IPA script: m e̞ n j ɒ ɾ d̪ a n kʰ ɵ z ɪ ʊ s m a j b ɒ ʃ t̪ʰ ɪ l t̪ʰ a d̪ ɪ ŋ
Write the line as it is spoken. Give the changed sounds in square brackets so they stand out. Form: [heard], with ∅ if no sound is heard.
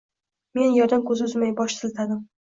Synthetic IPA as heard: m e̞ n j ɒ ɾ d̪ a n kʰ ɵ z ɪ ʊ [z] m a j b ɒ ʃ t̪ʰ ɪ l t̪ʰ a d̪ ɪ [m]